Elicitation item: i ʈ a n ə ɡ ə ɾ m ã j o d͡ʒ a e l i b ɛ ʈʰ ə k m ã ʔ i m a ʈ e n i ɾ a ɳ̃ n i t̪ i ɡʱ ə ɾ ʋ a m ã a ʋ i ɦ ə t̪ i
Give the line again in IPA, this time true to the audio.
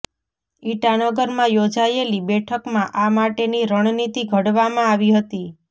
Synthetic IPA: i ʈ a n ə ɡ ə ɾ m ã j o d͡ʒ a e l i b ɛ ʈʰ ə k m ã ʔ a m a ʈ e n i ɾ ə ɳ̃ n i t̪ i ɡʱ ə ɽ ʋ a m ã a ʋ i ɦ ə t̪ i